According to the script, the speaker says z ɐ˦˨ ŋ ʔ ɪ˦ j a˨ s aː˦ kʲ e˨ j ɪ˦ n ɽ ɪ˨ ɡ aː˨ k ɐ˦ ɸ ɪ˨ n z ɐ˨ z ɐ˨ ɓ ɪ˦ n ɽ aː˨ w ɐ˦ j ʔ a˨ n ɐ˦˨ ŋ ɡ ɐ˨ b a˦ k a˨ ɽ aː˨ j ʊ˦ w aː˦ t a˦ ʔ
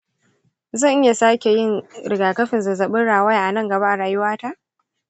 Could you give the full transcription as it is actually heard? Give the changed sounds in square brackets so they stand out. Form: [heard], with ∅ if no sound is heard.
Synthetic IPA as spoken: z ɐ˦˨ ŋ ʔ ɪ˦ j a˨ s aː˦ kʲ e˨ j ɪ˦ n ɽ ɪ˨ ɡ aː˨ k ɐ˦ ɸ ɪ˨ n z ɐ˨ z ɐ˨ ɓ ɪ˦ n ɽ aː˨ w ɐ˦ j ʔ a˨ n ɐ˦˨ ŋ ɡ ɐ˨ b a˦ [ʔ] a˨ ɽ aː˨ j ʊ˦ w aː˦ t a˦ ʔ